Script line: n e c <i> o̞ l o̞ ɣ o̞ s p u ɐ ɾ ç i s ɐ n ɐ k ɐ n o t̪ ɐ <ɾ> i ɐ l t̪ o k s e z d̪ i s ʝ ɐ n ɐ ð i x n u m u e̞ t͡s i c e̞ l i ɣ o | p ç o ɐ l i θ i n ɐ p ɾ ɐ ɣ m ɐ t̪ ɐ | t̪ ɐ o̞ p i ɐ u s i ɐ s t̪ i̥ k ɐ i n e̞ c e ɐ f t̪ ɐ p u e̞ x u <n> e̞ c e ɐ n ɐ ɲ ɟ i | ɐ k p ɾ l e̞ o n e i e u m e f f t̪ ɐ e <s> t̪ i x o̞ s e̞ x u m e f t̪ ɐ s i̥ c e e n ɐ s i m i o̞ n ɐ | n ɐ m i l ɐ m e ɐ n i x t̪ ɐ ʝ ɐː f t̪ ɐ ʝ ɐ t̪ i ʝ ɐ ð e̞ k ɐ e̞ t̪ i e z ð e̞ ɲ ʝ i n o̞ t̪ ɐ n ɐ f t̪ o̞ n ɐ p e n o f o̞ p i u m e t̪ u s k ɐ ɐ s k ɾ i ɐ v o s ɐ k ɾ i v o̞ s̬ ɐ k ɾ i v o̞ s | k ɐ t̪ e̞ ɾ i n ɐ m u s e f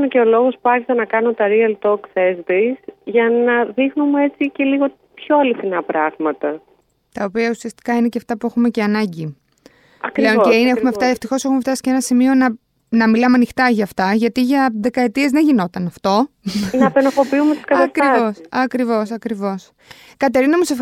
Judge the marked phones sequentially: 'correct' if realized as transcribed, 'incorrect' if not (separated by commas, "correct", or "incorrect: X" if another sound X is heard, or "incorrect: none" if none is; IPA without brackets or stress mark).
incorrect: e, correct, incorrect: m, incorrect: f